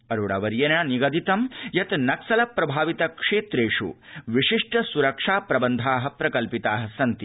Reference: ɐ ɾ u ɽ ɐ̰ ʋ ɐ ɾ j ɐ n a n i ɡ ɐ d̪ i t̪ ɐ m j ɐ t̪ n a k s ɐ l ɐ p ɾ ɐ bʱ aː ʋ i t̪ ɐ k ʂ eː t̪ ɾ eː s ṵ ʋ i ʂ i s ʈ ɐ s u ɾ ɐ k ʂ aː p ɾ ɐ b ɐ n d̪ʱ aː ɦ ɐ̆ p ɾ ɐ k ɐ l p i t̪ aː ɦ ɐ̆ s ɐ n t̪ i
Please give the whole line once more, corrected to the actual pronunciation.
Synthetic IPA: ɐ ɾ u ɽ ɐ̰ ʋ ɐ ɾ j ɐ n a n i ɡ ɐ d̪ i t̪ ɐ m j ɐ t̪ n ɐ k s ɐ l ɐ p ɾ ɐ bʱ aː ʋ i t̪ ɐ k ʂ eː t̪ ɾ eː ʂ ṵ ʋ i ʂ i ʂ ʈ ɐ s u ɾ ɐ k ʂ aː p ɾ ɐ b ɐ n d̪ʱ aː ɦ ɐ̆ p ɾ ɐ k ɐ l p i t̪ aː ɦ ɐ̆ s ɐ n t̪ i

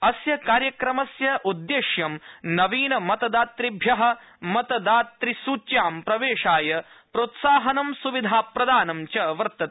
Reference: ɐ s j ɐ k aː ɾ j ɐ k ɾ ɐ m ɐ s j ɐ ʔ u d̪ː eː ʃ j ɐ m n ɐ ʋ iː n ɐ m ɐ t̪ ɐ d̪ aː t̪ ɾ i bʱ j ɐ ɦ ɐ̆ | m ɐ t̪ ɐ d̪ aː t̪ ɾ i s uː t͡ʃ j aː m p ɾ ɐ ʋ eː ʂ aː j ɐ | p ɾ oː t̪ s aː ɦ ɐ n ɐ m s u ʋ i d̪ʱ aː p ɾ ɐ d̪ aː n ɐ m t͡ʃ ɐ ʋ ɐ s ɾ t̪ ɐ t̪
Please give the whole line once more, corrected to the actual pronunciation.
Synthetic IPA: ɐ s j ɐ k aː ɾ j ɐ k ɾ ɐ m ɐ s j ɐ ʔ u d̪ː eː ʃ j ɐ m n ɐ ʋ iː n ɐ m ɐ t̪ ɐ d̪ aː t̪ ɾ i bʱ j ɐ ɦ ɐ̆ | m ɐ t̪ ɐ d̪ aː t̪ ɾ i s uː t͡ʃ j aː m p ɾ ɐ ʋ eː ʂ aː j ɐ | p ɾ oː t̪ s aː ɦ ɐ n ɐ m s u ʋ i d̪ʱ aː p ɾ ɐ d̪ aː n ɐ m t͡ʃ ɐ ʋ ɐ ɾ t̪ ɐ t̪

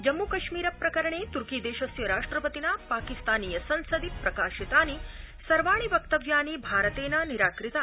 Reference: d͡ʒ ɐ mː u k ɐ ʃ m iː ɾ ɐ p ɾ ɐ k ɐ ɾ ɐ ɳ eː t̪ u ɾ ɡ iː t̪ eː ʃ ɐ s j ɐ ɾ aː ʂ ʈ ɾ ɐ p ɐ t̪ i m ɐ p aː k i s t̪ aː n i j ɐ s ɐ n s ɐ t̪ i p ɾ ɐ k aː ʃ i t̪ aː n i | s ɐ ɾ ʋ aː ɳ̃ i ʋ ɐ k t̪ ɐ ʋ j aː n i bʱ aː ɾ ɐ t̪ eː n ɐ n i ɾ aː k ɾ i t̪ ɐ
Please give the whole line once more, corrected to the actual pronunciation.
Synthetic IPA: d͡ʒ ɐ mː u k ɐ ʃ m iː ɾ ɐ p ɾ ɐ k ɐ ɾ ɐ ɳ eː t̪ u ɾ k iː d̪ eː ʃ ɐ s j ɐ ɾ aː ʂ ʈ ɾ ɐ p ɐ t̪ i n ɐ p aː k i s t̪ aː n i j ɐ s ɐ n s ɐ d̪ i p ɾ ɐ k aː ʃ i t̪ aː n i | s ɐ ɾ ʋ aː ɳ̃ i ʋ ɐ k t̪ ɐ ʋ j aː n i bʱ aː ɾ ɐ t̪ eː n ɐ n i ɾ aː k ɾ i t̪ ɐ

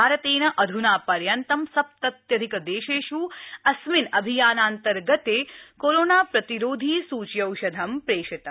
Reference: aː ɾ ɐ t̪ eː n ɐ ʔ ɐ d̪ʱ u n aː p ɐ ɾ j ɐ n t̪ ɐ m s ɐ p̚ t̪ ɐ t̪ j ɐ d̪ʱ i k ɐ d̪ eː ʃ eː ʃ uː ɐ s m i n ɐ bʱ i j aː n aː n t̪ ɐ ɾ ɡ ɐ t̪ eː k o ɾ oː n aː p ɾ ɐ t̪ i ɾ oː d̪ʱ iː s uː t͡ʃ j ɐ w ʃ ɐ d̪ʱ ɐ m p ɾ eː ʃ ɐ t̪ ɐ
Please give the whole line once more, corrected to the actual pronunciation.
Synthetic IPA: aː ɾ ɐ t̪ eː n ɐ ʔ ɐ d̪ʱ u n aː p ɐ ɾ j ɐ n t̪ ɐ m s ɐ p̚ t̪ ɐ t̪ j ɐ d̪ʱ i k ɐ d̪ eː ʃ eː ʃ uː ɐ s m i n ɐ bʱ i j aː n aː n t̪ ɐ ɾ ɡ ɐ t̪ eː k o ɾ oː n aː p ɾ ɐ t̪ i ɾ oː d̪ʱ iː s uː t͡ʃ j ɐ w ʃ ɐ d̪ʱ ɐ m p ɾ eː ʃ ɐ t̪ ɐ

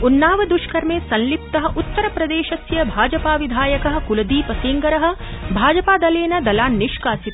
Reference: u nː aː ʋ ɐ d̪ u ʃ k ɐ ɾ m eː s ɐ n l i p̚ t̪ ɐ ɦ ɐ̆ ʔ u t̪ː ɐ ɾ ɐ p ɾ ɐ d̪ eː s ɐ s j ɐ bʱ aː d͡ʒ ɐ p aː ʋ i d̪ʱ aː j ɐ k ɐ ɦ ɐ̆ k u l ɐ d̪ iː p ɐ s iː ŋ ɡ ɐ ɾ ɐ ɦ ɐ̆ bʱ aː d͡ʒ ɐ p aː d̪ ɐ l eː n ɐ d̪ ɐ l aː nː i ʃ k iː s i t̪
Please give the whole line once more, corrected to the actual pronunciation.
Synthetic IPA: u nː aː ʋ ɐ d̪ u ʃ k ɐ ɾ m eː s ɐ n l i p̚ t̪ ɐ ɦ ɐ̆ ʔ u t̪ː ɐ ɾ ɐ p ɾ ɐ d̪ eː ʃ ɐ s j ɐ bʱ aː d͡ʒ ɐ p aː ʋ i d̪ʱ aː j ɐ k ɐ ɦ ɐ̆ k u l ɐ d̪ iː p ɐ s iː ŋ ɡ ɐ ɾ ɐ ɦ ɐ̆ bʱ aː d͡ʒ ɐ p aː d̪ ɐ l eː n ɐ d̪ ɐ l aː nː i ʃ k aː s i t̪

